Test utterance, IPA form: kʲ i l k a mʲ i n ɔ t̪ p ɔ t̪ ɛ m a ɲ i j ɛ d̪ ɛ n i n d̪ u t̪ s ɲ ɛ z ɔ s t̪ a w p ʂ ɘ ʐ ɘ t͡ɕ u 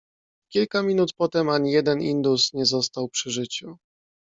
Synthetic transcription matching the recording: kʲ i l k a mʲ i n u t̪ p ɔ t̪ ɛ m a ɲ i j ɛ d̪ ɛ n i n d̪ u s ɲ ɛ z ɔ s t̪ a w p ʂ ɘ ʐ ɘ t͡ɕ u